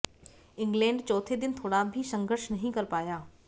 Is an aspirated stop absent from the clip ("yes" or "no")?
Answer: no